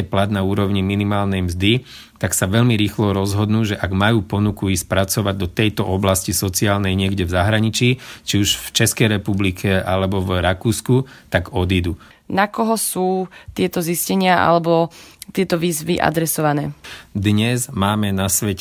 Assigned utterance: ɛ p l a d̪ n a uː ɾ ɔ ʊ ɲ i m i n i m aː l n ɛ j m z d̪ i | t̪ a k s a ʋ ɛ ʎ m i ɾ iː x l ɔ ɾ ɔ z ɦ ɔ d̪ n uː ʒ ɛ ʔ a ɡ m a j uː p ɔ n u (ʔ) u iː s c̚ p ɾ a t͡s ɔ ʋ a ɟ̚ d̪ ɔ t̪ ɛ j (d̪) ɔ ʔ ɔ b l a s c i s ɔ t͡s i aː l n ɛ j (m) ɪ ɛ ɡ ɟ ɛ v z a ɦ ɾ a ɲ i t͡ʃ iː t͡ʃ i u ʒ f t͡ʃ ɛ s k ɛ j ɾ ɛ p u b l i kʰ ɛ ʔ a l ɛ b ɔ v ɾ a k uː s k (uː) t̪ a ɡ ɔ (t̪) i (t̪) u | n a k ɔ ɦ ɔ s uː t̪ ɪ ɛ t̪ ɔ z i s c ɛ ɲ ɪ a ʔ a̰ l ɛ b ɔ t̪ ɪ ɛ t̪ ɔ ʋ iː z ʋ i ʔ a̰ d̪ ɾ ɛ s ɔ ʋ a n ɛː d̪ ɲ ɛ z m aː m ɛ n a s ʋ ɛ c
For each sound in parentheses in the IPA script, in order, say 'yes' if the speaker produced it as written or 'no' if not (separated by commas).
no, no, no, no, no, no